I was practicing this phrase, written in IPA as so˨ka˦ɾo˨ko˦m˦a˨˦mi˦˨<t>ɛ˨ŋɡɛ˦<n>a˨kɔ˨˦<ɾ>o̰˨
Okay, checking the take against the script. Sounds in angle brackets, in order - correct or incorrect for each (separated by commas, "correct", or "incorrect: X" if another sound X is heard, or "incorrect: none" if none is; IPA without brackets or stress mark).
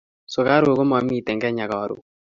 correct, incorrect: ɲ, correct